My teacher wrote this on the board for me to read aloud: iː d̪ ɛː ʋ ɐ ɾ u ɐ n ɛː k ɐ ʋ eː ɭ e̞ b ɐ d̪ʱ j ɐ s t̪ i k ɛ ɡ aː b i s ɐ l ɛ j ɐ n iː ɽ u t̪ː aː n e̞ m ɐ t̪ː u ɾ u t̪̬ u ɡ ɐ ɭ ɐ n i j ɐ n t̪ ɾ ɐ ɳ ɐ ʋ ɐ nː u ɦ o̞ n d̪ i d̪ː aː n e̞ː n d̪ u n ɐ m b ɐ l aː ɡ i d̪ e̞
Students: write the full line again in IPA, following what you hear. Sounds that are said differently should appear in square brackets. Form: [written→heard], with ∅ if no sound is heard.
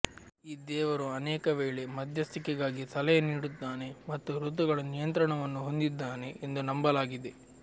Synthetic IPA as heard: iː d̪ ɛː ʋ ɐ ɾ u ɐ n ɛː k ɐ ʋ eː ɭ e̞ [b→m] ɐ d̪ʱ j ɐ s t̪ i k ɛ ɡ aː [b→ɡ] i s ɐ l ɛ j ɐ n iː ɽ u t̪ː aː n e̞ m ɐ t̪ː u ɾ u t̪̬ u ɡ ɐ ɭ ɐ n i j ɐ n t̪ ɾ ɐ ɳ ɐ ʋ ɐ nː u ɦ o̞ n d̪ i d̪ː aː n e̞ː n d̪ u n ɐ m b ɐ l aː ɡ i d̪ e̞

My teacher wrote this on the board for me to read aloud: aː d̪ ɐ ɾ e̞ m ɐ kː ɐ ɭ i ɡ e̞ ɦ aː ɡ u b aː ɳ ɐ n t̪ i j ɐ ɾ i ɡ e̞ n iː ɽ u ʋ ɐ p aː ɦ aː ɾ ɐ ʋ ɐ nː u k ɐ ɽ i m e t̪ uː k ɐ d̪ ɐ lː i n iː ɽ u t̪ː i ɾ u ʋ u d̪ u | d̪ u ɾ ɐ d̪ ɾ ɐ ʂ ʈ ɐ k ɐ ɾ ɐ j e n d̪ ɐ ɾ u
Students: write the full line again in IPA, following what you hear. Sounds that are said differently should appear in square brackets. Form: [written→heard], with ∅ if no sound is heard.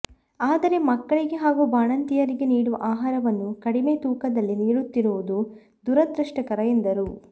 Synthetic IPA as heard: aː d̪ ɐ ɾ e̞ m ɐ kː ɐ ɭ i ɡ e̞ ɦ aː ɡ u b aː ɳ ɐ n t̪ i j ɐ ɾ i ɡ e̞ n iː ɽ u ʋ ɐ [p→ʔ] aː ɦ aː ɾ ɐ ʋ ɐ nː u k ɐ ɽ i m e t̪ uː k ɐ d̪ ɐ lː i n iː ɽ u t̪ː i ɾ u ʋ u d̪ u | d̪ u ɾ ɐ d̪ ɾ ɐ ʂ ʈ ɐ k ɐ ɾ ɐ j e n d̪ ɐ ɾ u

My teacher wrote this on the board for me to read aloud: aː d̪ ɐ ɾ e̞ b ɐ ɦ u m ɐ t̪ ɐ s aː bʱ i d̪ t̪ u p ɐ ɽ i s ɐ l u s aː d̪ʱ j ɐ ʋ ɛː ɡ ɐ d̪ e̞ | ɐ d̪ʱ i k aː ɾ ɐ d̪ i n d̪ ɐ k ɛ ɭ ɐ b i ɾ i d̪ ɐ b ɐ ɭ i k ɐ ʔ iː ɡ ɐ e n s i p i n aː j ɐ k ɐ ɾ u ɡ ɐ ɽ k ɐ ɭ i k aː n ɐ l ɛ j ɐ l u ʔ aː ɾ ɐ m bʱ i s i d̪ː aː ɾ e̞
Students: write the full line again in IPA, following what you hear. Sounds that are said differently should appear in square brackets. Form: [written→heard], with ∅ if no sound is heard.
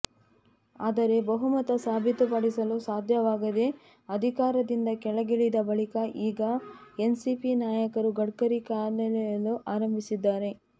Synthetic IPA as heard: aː d̪ ɐ ɾ e̞ b ɐ ɦ u m ɐ t̪ ɐ s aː bʱ i [d̪→∅] t̪ u p ɐ ɽ i s ɐ l u s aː d̪ʱ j ɐ ʋ [ɛː→aː] ɡ ɐ d̪ e̞ | ɐ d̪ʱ i k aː ɾ ɐ d̪ i n d̪ ɐ k ɛ ɭ ɐ [b→ɡ] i [ɾ→ɭ] i d̪ ɐ b ɐ ɭ i k ɐ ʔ iː ɡ ɐ e n s i p i n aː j ɐ k ɐ ɾ u ɡ ɐ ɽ k ɐ [ɭ→ɾ] i k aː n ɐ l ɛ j ɐ l u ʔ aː ɾ ɐ m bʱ i s i d̪ː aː ɾ e̞

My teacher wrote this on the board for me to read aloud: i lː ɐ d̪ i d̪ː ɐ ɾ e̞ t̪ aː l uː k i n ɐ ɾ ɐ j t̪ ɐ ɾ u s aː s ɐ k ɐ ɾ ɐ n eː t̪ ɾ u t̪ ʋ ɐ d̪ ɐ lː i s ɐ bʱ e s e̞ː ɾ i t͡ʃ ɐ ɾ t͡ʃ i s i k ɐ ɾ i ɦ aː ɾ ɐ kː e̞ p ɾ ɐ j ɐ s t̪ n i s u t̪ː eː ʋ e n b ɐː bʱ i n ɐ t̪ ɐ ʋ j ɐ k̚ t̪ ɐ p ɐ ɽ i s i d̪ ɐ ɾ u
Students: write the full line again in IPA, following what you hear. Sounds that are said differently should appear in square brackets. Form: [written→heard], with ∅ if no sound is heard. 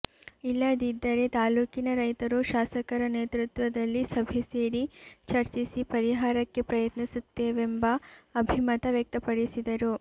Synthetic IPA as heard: i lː ɐ d̪ i d̪ː ɐ ɾ e̞ t̪ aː l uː k i n ɐ ɾ ɐ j t̪ ɐ ɾ u [s→ʃ] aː s ɐ k ɐ ɾ ɐ n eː t̪ ɾ u t̪ ʋ ɐ d̪ ɐ lː i s ɐ bʱ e s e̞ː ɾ i t͡ʃ ɐ ɾ t͡ʃ i s i [k→p] ɐ ɾ i ɦ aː ɾ ɐ kː e̞ p ɾ ɐ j ɐ [s→∅] t̪ n i s u t̪ː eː ʋ e [n→m] b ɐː bʱ i [n→m] ɐ t̪ ɐ ʋ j ɐ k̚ t̪ ɐ p ɐ ɽ i s i d̪ ɐ ɾ u

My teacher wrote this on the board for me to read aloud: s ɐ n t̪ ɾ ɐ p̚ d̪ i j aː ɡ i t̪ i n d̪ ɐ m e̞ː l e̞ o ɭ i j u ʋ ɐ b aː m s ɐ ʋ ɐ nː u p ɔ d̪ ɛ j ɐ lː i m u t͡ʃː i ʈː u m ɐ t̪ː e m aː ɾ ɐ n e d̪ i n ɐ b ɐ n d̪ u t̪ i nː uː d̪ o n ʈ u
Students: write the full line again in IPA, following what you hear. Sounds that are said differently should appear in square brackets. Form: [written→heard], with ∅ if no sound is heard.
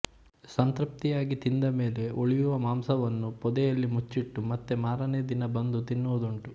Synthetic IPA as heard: s ɐ n t̪ ɾ ɐ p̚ [d̪→t̪] i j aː ɡ i t̪ i n d̪ ɐ m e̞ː l e̞ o ɭ i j u ʋ ɐ [b→m] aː m s ɐ ʋ ɐ nː u p ɔ d̪ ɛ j ɐ lː i m u t͡ʃː i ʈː u m ɐ t̪ː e m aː ɾ ɐ n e d̪ i n ɐ b ɐ n d̪ u t̪ i nː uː d̪ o [n→ɳ] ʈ u

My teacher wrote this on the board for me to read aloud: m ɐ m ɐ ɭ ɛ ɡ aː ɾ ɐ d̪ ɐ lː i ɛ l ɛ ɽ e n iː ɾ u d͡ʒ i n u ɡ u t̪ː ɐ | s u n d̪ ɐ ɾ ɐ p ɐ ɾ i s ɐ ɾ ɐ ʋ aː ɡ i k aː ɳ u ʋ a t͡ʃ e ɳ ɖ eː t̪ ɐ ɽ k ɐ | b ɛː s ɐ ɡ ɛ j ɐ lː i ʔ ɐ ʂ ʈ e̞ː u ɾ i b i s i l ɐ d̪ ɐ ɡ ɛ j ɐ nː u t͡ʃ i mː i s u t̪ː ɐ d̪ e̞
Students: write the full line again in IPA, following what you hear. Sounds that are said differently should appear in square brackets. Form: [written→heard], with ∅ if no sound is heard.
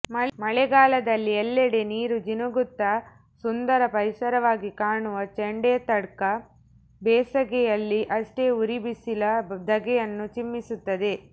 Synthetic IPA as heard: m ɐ m ɐ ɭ ɛ ɡ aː [ɾ→l] ɐ d̪ ɐ lː i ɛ [l→lː] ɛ ɽ e n iː ɾ u d͡ʒ i n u ɡ u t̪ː ɐ | s u n d̪ ɐ ɾ ɐ p ɐ ɾ i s ɐ ɾ ɐ ʋ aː ɡ i k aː ɳ u ʋ [a→ɐ] t͡ʃ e ɳ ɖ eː t̪ ɐ ɽ k ɐ | b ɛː s ɐ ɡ ɛ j ɐ lː i ʔ ɐ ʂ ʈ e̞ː u ɾ i b i s i l ɐ d̪ ɐ ɡ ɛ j ɐ nː u t͡ʃ i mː i s u t̪ː ɐ d̪ e̞

